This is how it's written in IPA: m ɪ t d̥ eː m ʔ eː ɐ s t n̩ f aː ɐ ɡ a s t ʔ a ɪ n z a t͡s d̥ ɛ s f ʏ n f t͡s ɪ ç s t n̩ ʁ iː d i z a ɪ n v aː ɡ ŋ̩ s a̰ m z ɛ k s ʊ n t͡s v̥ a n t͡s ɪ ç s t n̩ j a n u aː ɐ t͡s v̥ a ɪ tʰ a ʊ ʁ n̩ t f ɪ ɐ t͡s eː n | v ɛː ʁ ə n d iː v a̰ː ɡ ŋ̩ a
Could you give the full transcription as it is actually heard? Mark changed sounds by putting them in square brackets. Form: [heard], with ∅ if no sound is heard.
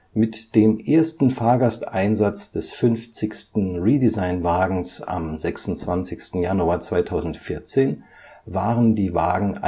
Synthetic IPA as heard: m ɪ t d̥ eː m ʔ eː ɐ s t n̩ f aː ɐ ɡ a s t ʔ a ɪ n z a t͡s d̥ ɛ s f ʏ n f t͡s ɪ ç s t n̩ ʁ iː d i z a ɪ n v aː ɡ ŋ̩ s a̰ m z ɛ k s ʊ n t͡s v̥ a n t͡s ɪ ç s t n̩ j a n u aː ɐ t͡s v̥ a ɪ tʰ a ʊ [z] n̩ t f ɪ ɐ t͡s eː n | v [aː] ʁ ə n d iː v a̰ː ɡ ŋ̩ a